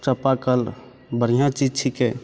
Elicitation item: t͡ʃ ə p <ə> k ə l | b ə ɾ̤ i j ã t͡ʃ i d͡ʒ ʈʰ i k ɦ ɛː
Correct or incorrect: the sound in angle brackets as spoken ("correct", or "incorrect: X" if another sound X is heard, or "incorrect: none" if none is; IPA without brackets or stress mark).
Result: incorrect: a